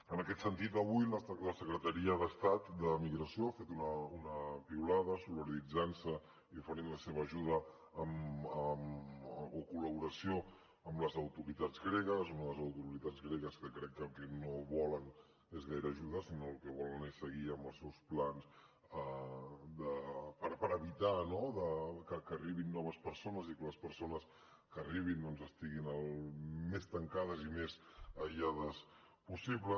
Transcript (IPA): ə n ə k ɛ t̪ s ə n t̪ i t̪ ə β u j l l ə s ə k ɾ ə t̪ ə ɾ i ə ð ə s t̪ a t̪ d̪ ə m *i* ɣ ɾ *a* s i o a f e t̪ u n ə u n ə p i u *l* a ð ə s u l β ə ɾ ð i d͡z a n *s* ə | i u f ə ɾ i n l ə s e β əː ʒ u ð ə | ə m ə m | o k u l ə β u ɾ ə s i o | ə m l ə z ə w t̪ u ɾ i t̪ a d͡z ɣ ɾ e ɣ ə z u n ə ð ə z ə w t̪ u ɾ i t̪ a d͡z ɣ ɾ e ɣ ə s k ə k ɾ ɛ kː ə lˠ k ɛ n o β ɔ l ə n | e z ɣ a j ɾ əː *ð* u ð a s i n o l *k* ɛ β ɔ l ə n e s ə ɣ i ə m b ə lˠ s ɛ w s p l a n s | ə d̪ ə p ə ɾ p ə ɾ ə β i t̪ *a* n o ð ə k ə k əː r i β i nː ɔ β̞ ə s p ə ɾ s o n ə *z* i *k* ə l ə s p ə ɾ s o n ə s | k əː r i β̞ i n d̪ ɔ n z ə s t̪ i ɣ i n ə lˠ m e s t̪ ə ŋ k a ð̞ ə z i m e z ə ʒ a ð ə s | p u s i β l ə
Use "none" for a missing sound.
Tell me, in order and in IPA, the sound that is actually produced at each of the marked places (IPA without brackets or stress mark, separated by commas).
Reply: i, ə, l, s, ʒ, k, a, z, k